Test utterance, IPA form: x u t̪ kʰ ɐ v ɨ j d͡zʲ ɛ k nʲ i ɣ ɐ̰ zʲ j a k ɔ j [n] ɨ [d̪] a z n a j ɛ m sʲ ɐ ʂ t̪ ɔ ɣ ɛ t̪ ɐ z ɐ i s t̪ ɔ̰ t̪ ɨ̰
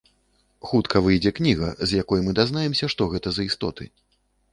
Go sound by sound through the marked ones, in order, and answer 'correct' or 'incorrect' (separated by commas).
incorrect, correct